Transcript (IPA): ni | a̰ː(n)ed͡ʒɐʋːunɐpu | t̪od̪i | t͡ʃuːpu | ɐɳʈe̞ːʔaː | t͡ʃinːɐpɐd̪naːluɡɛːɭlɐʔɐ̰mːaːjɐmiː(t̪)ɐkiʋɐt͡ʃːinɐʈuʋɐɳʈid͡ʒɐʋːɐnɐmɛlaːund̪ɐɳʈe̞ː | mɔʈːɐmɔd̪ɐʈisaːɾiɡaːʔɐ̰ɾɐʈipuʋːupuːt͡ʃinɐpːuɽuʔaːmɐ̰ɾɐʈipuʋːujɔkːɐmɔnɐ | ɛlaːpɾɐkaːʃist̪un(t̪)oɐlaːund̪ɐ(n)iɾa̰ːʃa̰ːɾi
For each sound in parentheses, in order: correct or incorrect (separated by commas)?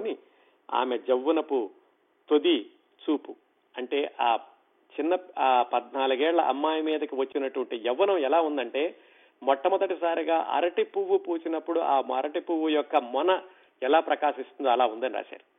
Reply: incorrect, incorrect, incorrect, correct